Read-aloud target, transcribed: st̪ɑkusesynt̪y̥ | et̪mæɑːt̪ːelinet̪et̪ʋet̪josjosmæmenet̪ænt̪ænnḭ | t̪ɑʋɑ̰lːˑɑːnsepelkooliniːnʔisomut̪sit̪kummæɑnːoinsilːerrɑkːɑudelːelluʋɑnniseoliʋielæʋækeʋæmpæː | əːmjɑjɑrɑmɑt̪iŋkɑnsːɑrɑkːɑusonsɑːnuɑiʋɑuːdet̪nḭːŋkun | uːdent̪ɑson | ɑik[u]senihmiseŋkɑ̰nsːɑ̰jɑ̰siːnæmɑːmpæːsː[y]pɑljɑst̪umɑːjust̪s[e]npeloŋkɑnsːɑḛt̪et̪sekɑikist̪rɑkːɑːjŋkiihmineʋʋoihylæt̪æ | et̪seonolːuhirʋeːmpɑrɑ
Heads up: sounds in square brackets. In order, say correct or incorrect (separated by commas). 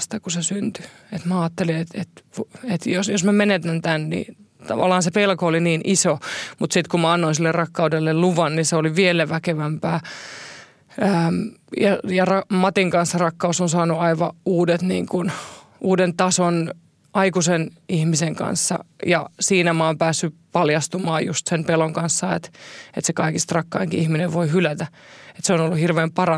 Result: correct, correct, correct